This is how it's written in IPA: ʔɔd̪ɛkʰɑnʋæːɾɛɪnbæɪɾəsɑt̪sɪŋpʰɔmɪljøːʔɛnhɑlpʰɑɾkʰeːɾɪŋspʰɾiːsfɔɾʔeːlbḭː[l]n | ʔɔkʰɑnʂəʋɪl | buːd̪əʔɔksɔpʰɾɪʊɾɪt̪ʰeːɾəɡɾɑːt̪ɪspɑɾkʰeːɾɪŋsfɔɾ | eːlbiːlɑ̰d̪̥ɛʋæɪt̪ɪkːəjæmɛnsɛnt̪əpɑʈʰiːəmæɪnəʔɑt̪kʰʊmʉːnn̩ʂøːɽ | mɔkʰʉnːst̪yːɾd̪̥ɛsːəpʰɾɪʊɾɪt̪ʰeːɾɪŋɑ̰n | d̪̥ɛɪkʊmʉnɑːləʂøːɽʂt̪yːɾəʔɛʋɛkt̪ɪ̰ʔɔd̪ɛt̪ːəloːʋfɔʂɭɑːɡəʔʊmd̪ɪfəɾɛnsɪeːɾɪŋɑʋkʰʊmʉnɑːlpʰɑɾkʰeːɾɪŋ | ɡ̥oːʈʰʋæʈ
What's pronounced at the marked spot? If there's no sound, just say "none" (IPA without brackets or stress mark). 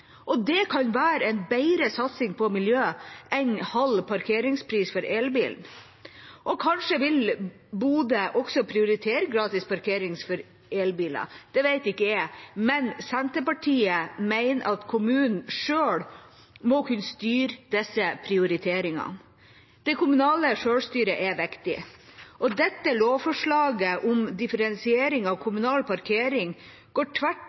l